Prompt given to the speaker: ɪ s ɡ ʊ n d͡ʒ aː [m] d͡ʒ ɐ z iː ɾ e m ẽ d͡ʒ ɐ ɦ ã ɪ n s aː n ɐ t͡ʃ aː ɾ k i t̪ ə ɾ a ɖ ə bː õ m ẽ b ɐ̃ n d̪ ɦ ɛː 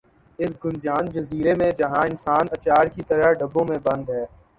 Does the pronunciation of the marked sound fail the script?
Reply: yes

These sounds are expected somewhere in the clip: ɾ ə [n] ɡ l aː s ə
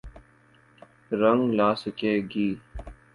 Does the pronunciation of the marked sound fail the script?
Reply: yes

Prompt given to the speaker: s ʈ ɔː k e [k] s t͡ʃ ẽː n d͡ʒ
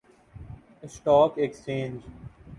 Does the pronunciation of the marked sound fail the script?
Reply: no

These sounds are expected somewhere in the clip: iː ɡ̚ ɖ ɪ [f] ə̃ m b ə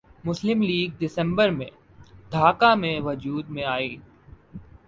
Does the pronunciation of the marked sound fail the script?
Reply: yes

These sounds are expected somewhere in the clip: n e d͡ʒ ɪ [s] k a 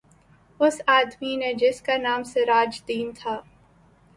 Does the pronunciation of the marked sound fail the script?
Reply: no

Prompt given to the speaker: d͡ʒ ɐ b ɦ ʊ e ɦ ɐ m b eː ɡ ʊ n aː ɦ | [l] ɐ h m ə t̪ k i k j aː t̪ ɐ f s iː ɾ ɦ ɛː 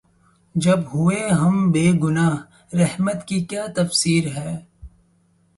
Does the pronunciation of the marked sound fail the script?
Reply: yes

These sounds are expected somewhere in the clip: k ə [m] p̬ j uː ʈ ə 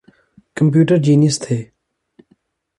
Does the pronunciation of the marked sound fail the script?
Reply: no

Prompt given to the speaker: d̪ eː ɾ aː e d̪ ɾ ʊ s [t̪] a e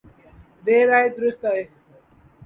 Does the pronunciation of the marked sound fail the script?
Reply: no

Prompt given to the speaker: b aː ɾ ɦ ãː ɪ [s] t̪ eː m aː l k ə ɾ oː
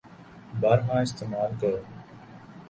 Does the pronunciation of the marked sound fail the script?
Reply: no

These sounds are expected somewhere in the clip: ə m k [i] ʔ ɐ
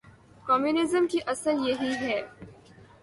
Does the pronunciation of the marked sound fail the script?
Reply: no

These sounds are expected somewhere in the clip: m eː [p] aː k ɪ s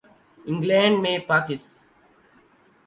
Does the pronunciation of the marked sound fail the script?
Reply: no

